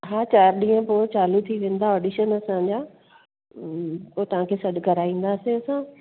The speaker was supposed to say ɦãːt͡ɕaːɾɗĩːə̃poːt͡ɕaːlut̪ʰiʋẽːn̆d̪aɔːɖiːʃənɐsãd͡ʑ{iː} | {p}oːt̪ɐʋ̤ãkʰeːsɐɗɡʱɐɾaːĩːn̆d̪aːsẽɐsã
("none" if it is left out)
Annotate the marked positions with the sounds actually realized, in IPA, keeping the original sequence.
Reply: aː, p

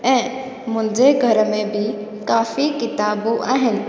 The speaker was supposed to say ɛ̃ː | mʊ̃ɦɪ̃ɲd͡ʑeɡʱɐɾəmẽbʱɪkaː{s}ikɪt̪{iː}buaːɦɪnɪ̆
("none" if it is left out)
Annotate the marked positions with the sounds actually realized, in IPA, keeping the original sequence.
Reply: f, aː

